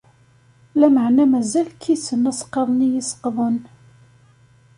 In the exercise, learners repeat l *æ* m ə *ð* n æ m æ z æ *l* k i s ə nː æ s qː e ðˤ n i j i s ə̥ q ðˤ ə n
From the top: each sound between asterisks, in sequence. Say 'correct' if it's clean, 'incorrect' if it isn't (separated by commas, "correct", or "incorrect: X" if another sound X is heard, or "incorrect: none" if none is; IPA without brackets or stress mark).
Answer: correct, incorrect: ʕ, correct